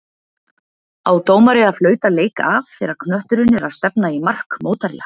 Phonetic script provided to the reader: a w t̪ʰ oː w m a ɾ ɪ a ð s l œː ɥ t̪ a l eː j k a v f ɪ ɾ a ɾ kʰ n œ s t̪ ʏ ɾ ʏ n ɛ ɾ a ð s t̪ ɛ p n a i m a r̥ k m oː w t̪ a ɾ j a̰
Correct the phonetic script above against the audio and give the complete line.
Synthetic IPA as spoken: a w t̪ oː w m a ɾ ɪ a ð f l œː ɥ t̪ a l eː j k a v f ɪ ɾ a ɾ kʰ n œ h t̪ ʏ ɾ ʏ n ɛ ɾ a ð s t̪ ɛ p n a i m a r̥ k m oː w t̪ a ɾ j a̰